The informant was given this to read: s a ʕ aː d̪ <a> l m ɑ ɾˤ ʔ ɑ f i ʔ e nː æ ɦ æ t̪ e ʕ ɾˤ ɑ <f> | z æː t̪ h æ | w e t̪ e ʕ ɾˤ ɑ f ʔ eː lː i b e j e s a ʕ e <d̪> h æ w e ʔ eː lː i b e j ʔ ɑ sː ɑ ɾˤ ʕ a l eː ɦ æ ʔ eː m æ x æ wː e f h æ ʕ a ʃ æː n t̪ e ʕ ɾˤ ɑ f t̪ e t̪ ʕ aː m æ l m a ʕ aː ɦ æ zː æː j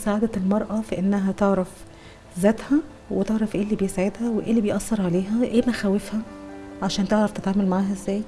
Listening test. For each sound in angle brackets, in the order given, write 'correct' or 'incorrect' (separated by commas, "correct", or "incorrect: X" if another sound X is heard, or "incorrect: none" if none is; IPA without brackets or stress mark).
incorrect: æ, correct, correct